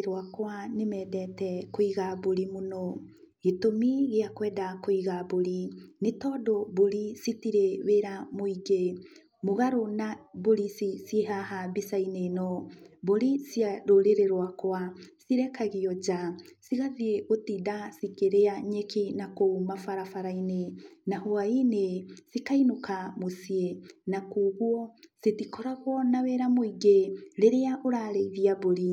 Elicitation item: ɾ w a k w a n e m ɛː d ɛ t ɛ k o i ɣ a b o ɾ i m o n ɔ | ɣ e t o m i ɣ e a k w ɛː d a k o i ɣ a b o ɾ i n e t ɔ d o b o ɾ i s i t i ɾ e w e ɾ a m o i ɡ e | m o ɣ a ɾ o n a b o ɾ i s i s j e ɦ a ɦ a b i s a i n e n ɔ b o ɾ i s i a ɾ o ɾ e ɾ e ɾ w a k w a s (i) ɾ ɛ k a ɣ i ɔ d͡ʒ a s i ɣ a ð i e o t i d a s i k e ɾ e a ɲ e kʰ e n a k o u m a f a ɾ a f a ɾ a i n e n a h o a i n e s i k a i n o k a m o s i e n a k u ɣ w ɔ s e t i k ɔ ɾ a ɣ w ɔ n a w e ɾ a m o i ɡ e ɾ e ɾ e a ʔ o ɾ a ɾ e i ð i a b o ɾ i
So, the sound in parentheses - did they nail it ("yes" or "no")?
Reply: yes